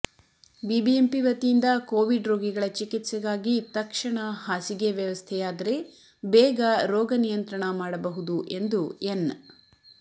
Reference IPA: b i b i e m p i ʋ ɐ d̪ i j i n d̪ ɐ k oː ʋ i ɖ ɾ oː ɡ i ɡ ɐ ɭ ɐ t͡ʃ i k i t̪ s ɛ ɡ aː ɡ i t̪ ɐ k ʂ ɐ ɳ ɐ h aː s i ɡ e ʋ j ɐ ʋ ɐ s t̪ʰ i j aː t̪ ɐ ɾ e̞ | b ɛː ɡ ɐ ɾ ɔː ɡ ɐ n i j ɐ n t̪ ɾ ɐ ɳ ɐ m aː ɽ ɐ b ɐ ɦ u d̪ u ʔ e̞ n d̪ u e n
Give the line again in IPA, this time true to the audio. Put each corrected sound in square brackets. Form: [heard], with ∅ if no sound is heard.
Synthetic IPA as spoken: b i b i e m p i ʋ ɐ [t̪] i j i n d̪ ɐ k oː ʋ i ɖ ɾ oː ɡ i ɡ ɐ ɭ ɐ t͡ʃ i k i t̪ s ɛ ɡ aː ɡ i t̪ ɐ k ʂ ɐ ɳ ɐ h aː s i ɡ e ʋ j ɐ ʋ ɐ s t̪ʰ [ɛ] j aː [d̪] ɐ ɾ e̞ | b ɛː ɡ ɐ ɾ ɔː ɡ ɐ n i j ɐ n t̪ ɾ ɐ ɳ ɐ m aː ɽ ɐ b ɐ ɦ u d̪ u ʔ e̞ n d̪ u e n